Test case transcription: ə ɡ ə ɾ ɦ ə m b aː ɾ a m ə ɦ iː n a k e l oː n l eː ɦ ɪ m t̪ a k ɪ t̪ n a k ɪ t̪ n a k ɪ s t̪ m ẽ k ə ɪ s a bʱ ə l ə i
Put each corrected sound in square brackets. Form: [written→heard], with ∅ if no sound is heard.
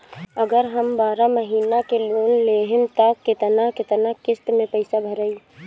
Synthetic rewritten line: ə ɡ ə ɾ ɦ ə m b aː ɾ a m ə ɦ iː n a k e l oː n l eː ɦ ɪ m t̪ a k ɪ t̪ n a k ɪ t̪ n a k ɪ s t̪ m ẽ [k→p] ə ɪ s a bʱ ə [l→ɾ] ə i

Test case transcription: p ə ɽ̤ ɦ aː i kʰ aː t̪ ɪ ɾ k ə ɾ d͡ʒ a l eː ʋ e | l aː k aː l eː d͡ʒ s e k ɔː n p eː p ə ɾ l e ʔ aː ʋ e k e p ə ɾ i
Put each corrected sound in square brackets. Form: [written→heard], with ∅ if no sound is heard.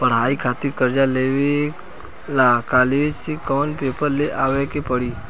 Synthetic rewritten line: p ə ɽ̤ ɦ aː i kʰ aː t̪ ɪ ɾ k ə ɾ d͡ʒ a l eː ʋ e | l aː k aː l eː d͡ʒ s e k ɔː n p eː p ə ɾ l e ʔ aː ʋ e k e p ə [ɾ→ɽ] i

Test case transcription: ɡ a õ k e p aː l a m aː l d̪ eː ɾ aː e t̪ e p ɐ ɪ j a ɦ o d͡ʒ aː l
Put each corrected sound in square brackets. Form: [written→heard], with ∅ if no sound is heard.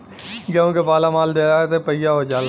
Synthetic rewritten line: ɡ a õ k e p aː l a m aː l d̪ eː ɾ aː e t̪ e p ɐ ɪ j a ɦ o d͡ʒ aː l

